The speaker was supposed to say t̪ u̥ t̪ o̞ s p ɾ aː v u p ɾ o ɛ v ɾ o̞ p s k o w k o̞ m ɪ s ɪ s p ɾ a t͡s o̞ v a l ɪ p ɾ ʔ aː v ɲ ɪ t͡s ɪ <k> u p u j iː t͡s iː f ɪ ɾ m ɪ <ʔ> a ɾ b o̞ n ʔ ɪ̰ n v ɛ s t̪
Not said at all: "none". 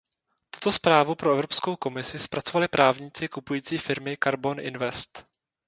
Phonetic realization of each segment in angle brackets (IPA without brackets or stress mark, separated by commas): k, k